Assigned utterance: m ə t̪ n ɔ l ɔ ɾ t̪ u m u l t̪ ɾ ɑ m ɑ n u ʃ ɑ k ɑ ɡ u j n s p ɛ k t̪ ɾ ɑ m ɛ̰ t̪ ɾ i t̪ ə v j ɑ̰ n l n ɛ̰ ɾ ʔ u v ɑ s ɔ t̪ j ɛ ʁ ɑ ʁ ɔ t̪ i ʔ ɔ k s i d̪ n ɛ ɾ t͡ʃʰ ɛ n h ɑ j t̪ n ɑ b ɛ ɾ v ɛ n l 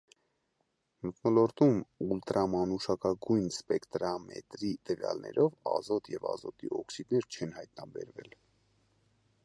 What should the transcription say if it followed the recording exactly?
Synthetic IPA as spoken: m ə t̪ n ɔ l ɔ ɾ t̪ u m u l t̪ ɾ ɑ m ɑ n u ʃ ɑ k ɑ ɡ u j n s p ɛ k t̪ ɾ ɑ m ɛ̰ t̪ ɾ i t̪ ə v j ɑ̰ l n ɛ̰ ɾ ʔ ɔ v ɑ z ɔ t̪ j ɛ v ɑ z ɔ t̪ i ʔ ɔ k s i d̪ n ɛ ɾ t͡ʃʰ ɛ n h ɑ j t̪ n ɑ b ɛ ɾ v ɛ l

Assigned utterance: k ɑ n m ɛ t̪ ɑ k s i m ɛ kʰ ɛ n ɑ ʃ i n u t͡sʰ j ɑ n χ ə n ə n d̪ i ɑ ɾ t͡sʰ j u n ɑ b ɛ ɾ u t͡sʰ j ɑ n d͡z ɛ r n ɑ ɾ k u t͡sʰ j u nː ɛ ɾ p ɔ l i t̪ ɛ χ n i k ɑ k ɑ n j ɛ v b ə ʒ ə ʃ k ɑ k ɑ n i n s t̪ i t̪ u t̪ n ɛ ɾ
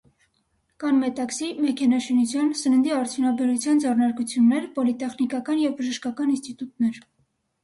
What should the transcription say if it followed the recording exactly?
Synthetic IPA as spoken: k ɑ n m ɛ t̪ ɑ k s i m ɛ kʰ ɛ n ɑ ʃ i n u t͡sʰ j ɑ n s ə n ə n d̪ i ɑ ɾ t͡sʰ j u n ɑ b ɛ ɾ u t͡sʰ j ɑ n d͡z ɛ r n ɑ ɾ k u t͡sʰ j u nː ɛ ɾ p ɔ l i t̪ ɛ χ n i k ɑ k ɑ n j ɛ v b ə ʒ ə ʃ k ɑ k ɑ n i n s t̪ i t̪ u t̪ n ɛ ɾ

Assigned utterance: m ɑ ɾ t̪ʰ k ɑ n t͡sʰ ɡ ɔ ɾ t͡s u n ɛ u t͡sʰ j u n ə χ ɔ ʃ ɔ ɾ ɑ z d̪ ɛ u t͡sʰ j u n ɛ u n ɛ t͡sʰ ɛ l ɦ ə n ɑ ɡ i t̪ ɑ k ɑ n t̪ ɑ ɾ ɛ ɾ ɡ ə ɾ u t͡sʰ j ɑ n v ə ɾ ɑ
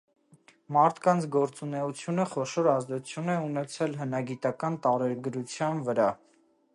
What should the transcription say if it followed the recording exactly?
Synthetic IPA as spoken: m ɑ ɾ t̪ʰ k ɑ n t͡sʰ ɡ ɔ ɾ t͡s u n ɛ u t͡sʰ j u n ə χ ɔ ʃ ɔ ɾ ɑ z d̪ ɛ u t͡sʰ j u n ɛ u n ɛ t͡sʰ ɛ l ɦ ə n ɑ ɡ i t̪ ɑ k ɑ n t̪ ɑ ɾ ɛ ɾ ɡ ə ɾ u t͡sʰ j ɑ n v ə ɾ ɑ

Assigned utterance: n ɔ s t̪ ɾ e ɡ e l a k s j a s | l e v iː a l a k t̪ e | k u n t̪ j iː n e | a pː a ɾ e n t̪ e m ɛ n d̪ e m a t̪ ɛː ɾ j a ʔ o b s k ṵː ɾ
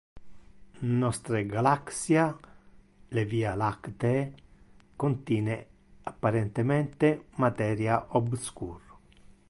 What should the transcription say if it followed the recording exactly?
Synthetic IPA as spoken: n ɔ s t̪ ɾ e ɡ a l a k s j a | l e v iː a l a k t̪ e | k o n t̪ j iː n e | a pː a ɾ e n t̪ e m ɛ n t̪ e m a t̪ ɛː ɾ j a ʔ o b s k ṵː ɾ

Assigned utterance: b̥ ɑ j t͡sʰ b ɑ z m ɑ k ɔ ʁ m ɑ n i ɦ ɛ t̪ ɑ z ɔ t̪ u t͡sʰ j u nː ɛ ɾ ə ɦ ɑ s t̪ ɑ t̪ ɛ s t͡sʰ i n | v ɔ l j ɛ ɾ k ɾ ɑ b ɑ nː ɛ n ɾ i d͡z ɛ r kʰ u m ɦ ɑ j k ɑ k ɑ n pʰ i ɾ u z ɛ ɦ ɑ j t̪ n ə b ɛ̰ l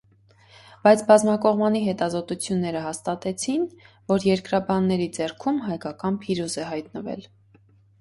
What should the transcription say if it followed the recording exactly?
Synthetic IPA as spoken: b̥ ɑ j t͡sʰ b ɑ z m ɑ k ɔ ʁ m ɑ n i ɦ ɛ t̪ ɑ z ɔ t̪ u t͡sʰ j u nː ɛ ɾ ə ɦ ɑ s t̪ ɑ t̪ ɛ t͡sʰ i n | v ɔ ɾ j ɛ ɾ k ɾ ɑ b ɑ nː ɛ ɾ i d͡z ɛ r kʰ u m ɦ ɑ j k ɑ k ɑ n pʰ i ɾ u z ɛ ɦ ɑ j t̪ n ə v ɛ̰ l

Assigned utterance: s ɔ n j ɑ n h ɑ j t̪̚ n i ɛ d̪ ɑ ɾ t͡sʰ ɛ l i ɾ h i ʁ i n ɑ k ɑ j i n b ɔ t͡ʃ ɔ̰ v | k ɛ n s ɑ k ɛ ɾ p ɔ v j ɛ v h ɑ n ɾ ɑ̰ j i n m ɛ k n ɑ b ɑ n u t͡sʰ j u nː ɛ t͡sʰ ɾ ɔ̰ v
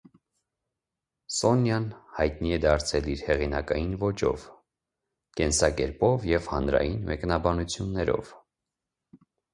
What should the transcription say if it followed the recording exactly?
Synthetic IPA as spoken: s ɔ n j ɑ n h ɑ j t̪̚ n i ɛ d̪ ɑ ɾ t͡sʰ ɛ l i ɾ h ɛ ʁ i n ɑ k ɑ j i n v ɔ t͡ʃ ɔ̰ v | k ɛ n s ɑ k ɛ ɾ p ɔ v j ɛ v h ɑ n ɾ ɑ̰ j i n m ɛ k n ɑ b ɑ n u t͡sʰ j u nː ɛ ɾ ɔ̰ v

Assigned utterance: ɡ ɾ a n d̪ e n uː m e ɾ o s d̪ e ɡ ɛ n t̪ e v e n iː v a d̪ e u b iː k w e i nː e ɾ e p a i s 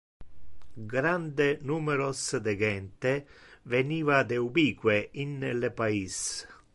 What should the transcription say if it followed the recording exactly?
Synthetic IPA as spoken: ɡ ɾ a n d̪ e n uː m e ɾ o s d̪ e ɡ ɛ n t̪ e v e n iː v a d̪ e u b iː k w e i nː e l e p a i s

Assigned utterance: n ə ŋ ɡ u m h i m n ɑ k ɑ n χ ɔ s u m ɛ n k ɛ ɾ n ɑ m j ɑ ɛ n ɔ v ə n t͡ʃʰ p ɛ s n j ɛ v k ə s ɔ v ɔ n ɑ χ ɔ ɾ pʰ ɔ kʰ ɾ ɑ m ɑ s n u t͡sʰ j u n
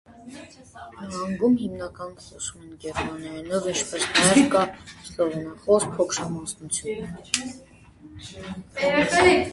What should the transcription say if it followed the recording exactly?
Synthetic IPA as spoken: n ɑ ŋ ɡ u m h i m n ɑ k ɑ n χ ɔ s u m ɛ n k ɛ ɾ m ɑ n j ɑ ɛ n ɔ v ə n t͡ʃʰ p ɛ s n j ɛ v k ɑ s ɔ v ɔ n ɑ χ ɔ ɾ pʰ ɔ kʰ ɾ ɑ m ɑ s n u t͡sʰ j u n

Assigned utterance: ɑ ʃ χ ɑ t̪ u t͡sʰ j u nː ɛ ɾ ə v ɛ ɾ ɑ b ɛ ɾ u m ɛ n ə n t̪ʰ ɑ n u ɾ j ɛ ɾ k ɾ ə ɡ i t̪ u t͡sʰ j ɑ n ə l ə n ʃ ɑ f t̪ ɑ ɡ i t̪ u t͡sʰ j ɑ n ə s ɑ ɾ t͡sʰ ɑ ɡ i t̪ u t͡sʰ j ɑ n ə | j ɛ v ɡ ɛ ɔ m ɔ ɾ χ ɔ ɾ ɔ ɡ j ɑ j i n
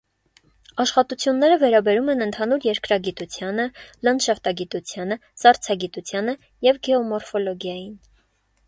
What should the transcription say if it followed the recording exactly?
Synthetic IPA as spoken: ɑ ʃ χ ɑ t̪ u t͡sʰ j u nː ɛ ɾ ə v ɛ ɾ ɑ b ɛ ɾ u m ɛ n ə n t̪ʰ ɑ n u ɾ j ɛ ɾ k ɾ ɑ ɡ i t̪ u t͡sʰ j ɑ n ə l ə n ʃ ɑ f t̪ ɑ ɡ i t̪ u t͡sʰ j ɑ n ə s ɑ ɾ t͡sʰ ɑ ɡ i t̪ u t͡sʰ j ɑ n ə | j ɛ v ɡ ɛ ɔ m ɔ ɾ f ɔ l ɔ ɡ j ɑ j i n

